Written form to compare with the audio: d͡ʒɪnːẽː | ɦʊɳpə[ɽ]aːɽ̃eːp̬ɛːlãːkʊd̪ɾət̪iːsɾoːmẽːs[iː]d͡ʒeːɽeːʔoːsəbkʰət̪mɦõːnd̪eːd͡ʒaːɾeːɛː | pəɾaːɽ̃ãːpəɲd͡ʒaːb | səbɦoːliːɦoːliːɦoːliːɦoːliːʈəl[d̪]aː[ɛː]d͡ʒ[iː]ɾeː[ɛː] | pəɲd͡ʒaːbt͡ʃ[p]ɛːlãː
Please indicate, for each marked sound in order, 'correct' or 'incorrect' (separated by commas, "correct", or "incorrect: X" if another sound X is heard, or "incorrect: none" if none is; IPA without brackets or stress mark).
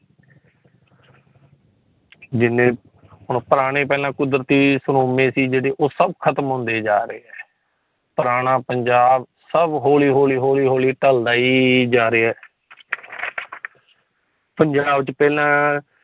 incorrect: ɾ, correct, correct, incorrect: iː, incorrect: aː, correct, correct